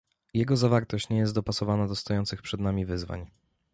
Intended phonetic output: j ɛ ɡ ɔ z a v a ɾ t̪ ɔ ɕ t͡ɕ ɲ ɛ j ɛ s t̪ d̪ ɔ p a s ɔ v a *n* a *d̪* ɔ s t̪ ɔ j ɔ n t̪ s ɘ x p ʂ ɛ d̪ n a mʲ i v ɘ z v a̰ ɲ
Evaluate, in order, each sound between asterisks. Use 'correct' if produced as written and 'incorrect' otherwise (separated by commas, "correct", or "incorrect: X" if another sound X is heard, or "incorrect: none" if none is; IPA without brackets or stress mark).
correct, correct